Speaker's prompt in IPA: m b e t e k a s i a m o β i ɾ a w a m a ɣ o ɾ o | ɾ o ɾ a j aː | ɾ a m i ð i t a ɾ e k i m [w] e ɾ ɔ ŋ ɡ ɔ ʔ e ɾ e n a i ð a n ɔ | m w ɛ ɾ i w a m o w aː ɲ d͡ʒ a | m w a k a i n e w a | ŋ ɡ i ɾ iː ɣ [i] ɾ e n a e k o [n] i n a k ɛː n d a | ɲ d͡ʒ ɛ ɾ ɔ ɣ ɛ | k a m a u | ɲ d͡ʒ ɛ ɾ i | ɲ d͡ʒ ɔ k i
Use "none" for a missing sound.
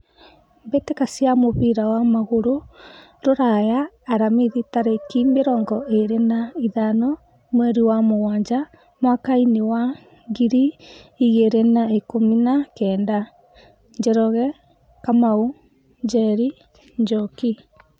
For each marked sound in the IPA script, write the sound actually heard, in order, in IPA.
b, e, m

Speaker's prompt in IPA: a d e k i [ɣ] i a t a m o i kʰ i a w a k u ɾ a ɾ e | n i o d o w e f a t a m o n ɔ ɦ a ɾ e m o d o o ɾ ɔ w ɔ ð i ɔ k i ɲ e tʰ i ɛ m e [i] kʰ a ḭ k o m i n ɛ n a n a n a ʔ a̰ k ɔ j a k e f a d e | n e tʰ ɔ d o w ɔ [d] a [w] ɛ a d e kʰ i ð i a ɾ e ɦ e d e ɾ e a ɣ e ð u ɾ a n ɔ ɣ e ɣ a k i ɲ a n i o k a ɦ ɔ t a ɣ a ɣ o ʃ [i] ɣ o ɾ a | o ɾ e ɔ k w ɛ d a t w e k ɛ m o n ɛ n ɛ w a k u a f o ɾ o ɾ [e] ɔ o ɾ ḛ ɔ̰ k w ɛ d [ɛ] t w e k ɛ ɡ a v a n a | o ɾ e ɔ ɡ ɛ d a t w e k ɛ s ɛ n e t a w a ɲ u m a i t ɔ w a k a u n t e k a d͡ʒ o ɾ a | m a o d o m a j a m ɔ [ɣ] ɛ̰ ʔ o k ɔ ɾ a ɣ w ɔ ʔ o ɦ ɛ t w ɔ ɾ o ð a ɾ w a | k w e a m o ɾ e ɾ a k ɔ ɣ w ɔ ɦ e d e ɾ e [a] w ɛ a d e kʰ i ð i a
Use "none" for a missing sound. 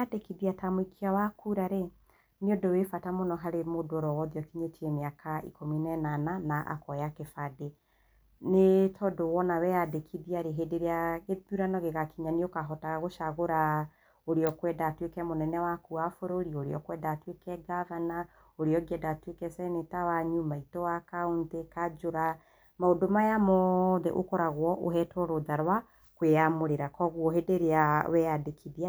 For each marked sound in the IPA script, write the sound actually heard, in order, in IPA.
ð, a, n, w, a, i, a, ð, a

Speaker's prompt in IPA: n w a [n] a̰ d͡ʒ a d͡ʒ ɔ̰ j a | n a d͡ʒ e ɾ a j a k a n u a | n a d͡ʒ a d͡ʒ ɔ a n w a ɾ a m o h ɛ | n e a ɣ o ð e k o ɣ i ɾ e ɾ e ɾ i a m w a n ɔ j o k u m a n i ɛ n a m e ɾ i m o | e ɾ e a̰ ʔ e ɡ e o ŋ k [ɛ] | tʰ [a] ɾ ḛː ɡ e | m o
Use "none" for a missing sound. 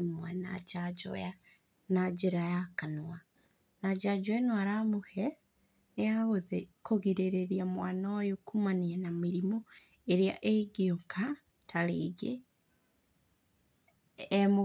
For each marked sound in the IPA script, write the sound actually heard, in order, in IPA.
n, a, a

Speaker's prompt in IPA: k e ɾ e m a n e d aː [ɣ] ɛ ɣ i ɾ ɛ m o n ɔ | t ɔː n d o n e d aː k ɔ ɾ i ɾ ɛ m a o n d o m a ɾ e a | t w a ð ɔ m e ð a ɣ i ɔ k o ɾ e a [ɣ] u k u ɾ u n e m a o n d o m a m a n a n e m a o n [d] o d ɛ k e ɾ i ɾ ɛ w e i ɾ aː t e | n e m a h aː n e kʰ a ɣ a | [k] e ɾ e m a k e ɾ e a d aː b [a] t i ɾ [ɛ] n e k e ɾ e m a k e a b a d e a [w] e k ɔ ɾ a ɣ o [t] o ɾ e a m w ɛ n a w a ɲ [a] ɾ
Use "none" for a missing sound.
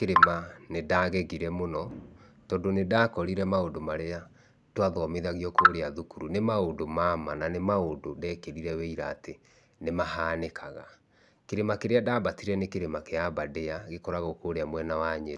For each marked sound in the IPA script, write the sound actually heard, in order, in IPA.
ɣ, ð, d, k, a, ɛ, ɣ, k, e

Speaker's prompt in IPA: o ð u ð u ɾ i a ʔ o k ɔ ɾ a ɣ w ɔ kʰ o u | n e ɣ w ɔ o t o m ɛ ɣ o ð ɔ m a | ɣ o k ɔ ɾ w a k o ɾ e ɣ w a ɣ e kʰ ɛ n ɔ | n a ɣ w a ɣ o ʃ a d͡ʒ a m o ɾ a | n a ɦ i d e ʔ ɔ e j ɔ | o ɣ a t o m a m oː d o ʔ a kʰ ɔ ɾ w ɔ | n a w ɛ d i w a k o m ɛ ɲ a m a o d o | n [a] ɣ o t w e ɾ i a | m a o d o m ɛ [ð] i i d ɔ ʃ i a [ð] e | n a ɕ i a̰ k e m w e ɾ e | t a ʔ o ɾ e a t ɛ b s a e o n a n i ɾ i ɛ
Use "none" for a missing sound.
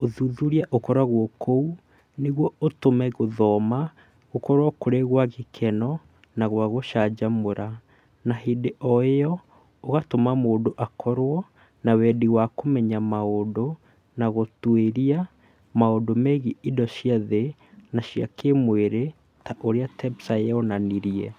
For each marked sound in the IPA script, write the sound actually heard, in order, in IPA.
a, ɣ, ð

